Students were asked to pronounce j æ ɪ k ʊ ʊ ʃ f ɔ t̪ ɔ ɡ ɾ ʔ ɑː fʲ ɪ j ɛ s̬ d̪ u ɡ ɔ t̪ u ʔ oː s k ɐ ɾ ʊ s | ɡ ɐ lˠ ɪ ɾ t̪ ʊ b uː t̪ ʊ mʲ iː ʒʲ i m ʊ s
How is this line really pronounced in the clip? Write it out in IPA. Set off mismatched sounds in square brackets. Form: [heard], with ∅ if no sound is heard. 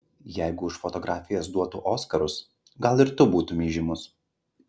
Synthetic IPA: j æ ɪ [ɡ] ʊ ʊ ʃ f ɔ t̪ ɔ ɡ ɾ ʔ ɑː fʲ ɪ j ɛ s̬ d̪ u [∅] ɔ t̪ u ʔ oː s k ɐ ɾ ʊ s | ɡ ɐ lˠ ɪ ɾ t̪ ʊ b uː t̪ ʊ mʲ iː ʒʲ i m ʊ s